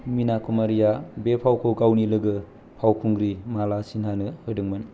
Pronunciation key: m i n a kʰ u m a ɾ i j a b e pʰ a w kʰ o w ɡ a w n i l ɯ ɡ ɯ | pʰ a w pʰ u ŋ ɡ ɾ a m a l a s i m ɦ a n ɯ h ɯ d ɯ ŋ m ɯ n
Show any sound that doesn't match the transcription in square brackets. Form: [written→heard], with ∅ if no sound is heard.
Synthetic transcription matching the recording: m i n a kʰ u m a ɾ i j a b e pʰ a w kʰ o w ɡ a w n i l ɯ ɡ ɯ | pʰ a w [pʰ→kʰ] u ŋ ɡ ɾ [a→i] m a l a s i [m→n] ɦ a n ɯ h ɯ d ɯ ŋ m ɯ n